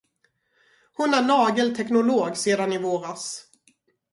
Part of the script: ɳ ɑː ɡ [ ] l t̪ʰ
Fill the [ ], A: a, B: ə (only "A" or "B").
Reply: B